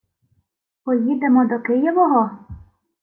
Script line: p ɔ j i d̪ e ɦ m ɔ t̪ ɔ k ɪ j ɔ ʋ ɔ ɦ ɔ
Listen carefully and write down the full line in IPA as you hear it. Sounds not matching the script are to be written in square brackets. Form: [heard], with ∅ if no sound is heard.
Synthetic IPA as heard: p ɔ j i d̪ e [∅] m ɔ [d̪] ɔ k ɪ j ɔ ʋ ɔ ɦ ɔ

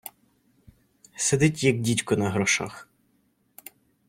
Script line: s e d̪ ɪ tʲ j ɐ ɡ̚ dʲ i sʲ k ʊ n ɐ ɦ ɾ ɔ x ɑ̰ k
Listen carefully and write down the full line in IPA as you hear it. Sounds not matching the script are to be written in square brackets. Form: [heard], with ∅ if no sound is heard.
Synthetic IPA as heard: s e d̪ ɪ tʲ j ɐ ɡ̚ dʲ i [tʲ] k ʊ n ɐ ɦ ɾ ɔ [ʃ] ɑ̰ [x]

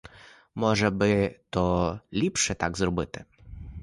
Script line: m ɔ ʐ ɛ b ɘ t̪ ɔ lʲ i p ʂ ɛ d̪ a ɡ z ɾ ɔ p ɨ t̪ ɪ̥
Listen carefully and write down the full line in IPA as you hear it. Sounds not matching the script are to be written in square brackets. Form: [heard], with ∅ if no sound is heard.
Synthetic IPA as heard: m ɔ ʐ ɛ b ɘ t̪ ɔ lʲ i p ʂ ɛ [t̪] a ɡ z ɾ ɔ [b] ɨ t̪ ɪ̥

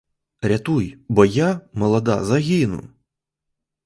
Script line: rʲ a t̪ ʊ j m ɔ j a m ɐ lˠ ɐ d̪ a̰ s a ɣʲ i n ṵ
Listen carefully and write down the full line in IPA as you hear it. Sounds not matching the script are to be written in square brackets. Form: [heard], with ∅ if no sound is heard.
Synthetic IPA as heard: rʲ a t̪ [u] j [b] ɔ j a m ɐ lˠ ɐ d̪ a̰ [z] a ɣʲ i n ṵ

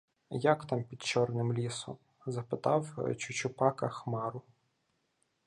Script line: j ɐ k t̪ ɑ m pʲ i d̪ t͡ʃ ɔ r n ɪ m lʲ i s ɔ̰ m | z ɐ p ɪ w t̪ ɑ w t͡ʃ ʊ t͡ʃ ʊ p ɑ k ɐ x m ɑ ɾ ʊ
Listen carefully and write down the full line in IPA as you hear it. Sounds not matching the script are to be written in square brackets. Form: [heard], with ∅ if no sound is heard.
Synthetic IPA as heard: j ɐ k t̪ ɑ m pʲ i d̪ t͡ʃ ɔ r n ɪ m lʲ i s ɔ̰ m | z ɐ p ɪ [∅] t̪ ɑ w t͡ʃ ʊ t͡ʃ ʊ p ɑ k ɐ x m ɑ ɾ ʊ

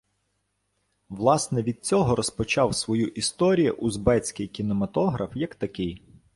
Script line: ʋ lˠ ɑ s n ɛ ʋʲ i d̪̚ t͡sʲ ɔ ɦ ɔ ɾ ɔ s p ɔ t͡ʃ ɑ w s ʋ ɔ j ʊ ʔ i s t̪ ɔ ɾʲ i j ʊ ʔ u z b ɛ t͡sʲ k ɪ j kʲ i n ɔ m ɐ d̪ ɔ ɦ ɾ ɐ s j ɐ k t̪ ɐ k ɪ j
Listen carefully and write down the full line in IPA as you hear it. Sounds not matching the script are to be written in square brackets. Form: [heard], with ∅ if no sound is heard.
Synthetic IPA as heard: ʋ lˠ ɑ s n ɛ ʋʲ i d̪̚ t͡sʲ ɔ ɦ ɔ ɾ ɔ s p ɔ t͡ʃ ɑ w s ʋ ɔ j [u] ʔ i s t̪ ɔ ɾʲ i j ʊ ʔ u z b ɛ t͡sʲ k ɪ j kʲ i n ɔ m ɐ [t̪] ɔ ɦ ɾ ɐ [f] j ɐ k t̪ ɐ k ɪ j

